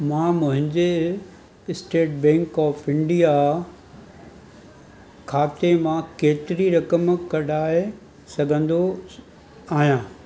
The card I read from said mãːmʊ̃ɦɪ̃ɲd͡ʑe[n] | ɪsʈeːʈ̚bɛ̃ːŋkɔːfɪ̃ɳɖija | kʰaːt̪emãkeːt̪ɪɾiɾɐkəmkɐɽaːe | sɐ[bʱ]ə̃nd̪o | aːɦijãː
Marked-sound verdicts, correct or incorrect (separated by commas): incorrect, incorrect